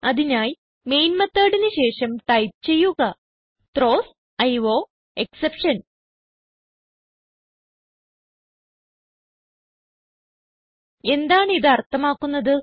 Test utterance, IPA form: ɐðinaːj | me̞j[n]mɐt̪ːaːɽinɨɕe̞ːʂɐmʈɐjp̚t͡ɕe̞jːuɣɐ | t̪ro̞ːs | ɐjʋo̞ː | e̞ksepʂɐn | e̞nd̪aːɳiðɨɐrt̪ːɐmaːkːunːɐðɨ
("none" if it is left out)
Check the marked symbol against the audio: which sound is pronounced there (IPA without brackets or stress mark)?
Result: n